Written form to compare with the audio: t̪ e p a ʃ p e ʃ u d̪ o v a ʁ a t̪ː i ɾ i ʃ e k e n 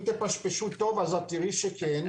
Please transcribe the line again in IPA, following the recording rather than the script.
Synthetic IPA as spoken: t̪ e p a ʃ p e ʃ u t̪ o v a z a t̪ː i ɾ i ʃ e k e n